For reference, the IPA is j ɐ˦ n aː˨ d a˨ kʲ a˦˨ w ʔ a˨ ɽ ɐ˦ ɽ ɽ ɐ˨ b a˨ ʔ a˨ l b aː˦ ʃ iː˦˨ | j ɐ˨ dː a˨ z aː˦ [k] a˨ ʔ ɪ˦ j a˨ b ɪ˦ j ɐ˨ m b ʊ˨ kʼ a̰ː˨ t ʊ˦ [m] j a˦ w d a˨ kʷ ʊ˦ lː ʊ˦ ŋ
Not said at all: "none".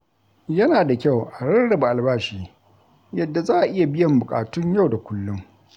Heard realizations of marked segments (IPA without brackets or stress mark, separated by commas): ʔ, ɲ